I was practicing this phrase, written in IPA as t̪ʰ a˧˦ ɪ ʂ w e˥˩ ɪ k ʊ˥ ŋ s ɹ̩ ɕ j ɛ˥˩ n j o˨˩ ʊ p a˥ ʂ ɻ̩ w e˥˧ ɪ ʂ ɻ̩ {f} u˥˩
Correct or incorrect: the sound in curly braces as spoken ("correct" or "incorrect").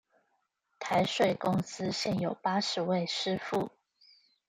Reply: correct